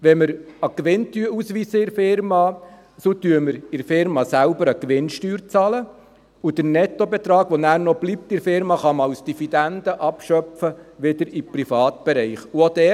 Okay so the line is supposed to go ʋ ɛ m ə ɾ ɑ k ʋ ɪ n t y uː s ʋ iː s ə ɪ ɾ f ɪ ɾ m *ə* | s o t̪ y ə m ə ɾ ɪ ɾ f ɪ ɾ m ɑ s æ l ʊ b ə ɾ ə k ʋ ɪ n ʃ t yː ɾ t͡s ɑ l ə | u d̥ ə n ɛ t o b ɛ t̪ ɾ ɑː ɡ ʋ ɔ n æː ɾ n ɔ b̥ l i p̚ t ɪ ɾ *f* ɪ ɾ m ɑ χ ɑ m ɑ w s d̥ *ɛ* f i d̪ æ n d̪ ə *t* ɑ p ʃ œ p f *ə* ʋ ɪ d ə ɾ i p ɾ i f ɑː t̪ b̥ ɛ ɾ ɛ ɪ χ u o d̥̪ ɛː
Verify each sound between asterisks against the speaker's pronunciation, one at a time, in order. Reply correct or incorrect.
incorrect, correct, incorrect, incorrect, correct

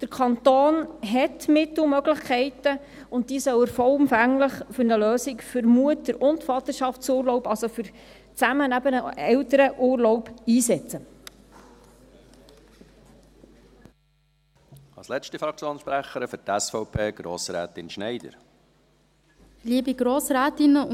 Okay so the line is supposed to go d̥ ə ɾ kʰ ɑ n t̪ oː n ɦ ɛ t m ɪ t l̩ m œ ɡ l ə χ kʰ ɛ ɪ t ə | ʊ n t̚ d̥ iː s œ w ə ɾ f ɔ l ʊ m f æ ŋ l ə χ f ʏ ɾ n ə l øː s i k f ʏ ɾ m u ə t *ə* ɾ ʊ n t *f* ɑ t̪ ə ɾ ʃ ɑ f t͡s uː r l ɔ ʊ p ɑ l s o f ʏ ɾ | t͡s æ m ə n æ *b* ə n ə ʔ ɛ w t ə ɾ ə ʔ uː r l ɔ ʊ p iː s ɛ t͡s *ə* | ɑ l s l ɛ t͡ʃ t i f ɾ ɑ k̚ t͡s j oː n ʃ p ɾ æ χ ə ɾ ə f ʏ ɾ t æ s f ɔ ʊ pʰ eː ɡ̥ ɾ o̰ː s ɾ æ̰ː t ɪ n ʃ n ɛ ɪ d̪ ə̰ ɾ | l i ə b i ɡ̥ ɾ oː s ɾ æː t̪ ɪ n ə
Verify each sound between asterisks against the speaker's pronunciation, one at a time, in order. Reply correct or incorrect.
correct, correct, correct, correct

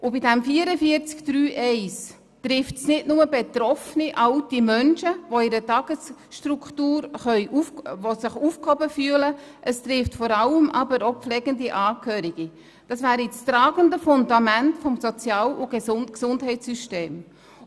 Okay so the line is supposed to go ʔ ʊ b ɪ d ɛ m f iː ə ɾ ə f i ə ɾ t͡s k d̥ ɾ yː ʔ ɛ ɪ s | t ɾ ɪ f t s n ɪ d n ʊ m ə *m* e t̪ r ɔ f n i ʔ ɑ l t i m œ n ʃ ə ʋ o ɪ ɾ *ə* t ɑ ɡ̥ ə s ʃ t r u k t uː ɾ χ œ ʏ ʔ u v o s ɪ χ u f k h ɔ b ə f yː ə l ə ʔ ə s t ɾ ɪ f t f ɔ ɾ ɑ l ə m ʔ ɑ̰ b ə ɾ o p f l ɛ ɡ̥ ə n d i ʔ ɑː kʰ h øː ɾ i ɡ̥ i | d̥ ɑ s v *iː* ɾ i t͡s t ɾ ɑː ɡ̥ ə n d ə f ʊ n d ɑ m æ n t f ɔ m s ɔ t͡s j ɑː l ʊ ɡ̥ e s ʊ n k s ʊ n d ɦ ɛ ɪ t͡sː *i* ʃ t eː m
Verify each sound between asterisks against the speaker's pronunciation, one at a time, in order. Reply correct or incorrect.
incorrect, correct, incorrect, incorrect

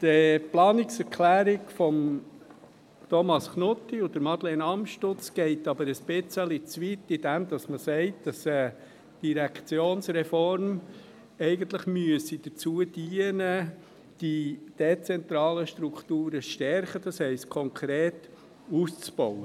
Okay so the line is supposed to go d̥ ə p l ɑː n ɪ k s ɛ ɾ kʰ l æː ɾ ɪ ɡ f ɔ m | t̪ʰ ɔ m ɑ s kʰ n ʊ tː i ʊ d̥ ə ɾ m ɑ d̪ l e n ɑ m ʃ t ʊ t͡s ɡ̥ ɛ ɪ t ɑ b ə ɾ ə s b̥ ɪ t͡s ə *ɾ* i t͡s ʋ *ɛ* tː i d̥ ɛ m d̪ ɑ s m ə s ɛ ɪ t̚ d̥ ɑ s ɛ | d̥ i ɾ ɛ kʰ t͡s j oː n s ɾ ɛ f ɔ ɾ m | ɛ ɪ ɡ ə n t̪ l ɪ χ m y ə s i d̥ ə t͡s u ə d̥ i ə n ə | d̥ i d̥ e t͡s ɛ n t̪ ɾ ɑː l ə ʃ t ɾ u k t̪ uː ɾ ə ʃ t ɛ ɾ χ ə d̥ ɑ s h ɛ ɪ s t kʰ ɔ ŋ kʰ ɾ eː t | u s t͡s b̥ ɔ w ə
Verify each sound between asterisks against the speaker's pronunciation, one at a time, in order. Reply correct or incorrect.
incorrect, incorrect

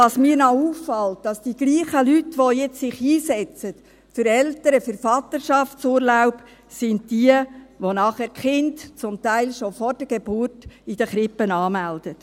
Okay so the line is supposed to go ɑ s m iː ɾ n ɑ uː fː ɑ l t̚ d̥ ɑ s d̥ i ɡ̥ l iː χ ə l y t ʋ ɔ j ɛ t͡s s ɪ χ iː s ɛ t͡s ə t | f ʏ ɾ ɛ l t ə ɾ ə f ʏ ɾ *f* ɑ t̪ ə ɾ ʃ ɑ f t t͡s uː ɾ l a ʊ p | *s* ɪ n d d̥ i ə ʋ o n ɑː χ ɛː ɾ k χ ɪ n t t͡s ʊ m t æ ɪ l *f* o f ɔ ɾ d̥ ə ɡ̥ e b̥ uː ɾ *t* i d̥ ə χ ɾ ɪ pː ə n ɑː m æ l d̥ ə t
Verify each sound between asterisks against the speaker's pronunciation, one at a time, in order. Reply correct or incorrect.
correct, correct, incorrect, correct

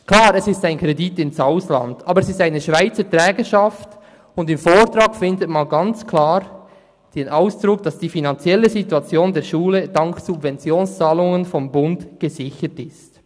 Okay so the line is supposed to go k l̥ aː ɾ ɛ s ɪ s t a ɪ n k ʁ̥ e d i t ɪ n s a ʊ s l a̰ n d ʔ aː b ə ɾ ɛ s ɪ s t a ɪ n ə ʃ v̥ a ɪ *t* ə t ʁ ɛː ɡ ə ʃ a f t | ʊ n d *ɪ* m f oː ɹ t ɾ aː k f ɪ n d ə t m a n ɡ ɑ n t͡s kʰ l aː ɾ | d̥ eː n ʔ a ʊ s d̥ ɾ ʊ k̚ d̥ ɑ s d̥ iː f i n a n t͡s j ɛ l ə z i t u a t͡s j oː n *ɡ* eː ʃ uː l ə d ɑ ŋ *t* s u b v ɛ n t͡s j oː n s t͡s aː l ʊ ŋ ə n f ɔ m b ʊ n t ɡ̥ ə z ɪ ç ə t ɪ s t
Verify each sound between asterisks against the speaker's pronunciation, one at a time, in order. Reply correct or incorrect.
incorrect, correct, incorrect, incorrect

